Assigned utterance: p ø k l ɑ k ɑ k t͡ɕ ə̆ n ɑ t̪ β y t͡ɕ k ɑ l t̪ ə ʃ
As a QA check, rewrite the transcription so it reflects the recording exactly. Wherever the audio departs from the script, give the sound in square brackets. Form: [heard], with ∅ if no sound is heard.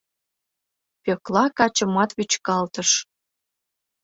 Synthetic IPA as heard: p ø k l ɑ k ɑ [∅] t͡ɕ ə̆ [m] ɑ t̪ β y t͡ɕ k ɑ l t̪ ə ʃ